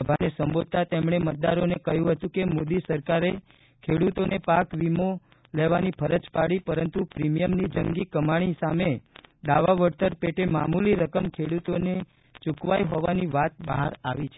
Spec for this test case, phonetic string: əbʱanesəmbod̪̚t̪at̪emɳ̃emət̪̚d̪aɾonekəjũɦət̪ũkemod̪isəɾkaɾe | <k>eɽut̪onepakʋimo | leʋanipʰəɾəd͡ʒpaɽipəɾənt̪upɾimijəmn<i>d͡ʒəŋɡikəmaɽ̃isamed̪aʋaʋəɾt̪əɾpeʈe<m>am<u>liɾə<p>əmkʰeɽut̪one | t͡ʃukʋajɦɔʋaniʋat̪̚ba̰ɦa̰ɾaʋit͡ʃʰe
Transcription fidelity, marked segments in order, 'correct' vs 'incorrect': incorrect, correct, correct, correct, incorrect

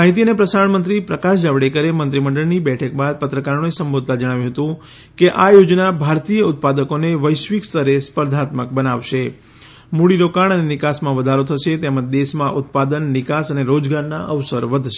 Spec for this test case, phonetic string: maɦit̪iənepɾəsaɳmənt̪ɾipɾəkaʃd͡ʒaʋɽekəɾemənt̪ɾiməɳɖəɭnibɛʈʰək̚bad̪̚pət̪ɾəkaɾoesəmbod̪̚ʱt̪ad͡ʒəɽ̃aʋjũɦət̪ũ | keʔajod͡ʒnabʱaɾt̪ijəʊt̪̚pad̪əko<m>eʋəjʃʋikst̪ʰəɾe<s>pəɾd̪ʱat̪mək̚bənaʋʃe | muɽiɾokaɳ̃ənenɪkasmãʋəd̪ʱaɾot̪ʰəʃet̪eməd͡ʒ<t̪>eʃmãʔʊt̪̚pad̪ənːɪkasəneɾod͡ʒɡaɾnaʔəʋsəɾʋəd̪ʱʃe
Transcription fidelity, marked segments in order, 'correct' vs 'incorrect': incorrect, correct, incorrect

